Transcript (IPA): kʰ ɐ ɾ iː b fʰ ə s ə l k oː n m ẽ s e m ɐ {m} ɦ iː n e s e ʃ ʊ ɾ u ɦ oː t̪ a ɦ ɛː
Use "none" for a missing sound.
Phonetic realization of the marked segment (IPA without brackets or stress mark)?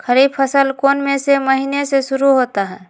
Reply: none